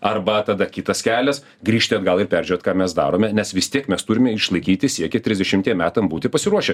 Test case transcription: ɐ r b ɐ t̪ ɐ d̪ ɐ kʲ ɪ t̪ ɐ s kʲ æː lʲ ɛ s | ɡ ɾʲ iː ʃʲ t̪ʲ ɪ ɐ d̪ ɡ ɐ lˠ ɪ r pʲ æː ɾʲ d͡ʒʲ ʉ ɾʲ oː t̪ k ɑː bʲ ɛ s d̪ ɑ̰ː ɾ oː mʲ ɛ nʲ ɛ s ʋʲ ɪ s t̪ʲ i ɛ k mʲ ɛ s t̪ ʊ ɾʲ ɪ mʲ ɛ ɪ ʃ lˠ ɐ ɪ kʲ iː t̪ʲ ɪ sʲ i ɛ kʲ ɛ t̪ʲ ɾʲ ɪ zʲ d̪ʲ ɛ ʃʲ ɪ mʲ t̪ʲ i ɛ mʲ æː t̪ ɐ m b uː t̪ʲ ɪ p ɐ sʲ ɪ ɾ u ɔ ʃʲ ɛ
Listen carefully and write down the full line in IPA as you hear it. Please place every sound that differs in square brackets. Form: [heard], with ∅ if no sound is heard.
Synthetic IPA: ɐ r b ɐ t̪ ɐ d̪ ɐ kʲ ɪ t̪ ɐ s kʲ æː lʲ ɛ s | ɡ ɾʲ iː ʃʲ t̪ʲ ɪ ɐ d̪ ɡ ɐ lˠ ɪ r pʲ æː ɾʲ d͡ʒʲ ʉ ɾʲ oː t̪ k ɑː [mʲ] ɛ s d̪ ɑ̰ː ɾ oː mʲ ɛ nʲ ɛ s ʋʲ ɪ s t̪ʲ i ɛ k mʲ ɛ s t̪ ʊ ɾʲ ɪ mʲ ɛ ɪ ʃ lˠ ɐ ɪ kʲ iː t̪ʲ ɪ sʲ i ɛ kʲ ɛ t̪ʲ ɾʲ ɪ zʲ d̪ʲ ɛ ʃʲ ɪ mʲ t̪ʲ i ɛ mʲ æː t̪ ɐ m b uː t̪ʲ ɪ p ɐ sʲ ɪ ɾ u ɔ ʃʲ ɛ